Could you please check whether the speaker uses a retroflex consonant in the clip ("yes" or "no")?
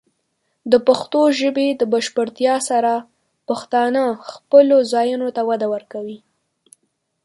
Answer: no